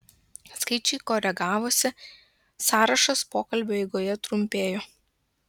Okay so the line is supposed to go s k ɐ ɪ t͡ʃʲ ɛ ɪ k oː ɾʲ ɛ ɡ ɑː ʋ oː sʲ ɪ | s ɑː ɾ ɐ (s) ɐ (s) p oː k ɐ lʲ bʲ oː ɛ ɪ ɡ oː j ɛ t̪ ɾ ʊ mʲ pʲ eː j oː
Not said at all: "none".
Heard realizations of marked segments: ʃ, s

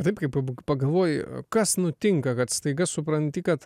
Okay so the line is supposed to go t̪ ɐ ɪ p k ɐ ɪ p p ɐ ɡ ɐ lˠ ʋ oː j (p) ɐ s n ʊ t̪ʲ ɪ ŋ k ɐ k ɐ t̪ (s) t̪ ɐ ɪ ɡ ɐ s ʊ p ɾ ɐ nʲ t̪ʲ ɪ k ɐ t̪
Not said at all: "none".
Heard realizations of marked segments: k, s

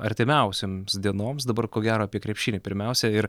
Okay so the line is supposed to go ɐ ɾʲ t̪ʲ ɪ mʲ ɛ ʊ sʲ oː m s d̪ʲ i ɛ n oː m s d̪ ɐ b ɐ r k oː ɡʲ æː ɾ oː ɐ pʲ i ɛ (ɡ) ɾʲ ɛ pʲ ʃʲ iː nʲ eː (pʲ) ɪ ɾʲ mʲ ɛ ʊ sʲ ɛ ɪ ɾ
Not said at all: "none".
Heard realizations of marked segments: k, pʲ

